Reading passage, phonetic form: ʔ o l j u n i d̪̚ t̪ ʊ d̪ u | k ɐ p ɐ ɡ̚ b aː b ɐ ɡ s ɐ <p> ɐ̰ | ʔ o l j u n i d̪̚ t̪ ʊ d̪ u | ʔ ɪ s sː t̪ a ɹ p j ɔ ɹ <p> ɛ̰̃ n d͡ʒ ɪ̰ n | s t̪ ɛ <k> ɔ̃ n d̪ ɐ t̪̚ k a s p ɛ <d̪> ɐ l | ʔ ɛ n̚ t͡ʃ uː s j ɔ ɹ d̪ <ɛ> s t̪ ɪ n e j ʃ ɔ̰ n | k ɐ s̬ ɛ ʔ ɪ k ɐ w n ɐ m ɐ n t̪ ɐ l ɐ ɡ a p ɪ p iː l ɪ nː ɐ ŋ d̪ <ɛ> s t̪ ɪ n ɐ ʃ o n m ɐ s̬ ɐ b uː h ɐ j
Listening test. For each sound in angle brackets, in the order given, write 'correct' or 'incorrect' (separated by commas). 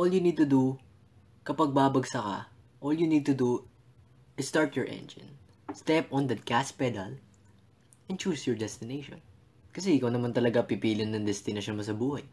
incorrect, incorrect, incorrect, correct, correct, correct